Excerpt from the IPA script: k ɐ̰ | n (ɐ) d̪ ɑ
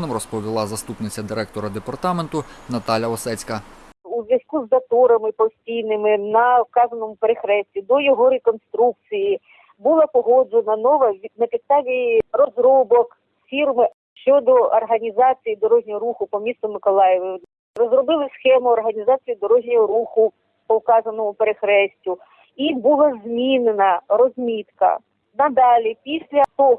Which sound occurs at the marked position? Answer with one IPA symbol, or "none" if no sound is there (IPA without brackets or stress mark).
ɐ